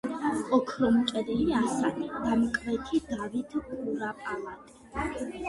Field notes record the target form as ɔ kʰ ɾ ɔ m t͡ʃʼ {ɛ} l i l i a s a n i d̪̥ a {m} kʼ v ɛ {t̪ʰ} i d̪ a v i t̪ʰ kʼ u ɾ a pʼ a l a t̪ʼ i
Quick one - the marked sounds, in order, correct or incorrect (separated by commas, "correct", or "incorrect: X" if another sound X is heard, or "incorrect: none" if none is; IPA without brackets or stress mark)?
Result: correct, correct, correct